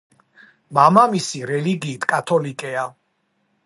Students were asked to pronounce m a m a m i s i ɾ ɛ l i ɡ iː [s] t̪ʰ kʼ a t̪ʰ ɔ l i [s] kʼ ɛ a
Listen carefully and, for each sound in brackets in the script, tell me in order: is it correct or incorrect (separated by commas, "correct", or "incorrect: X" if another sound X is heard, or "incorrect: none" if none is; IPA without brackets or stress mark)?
incorrect: none, incorrect: none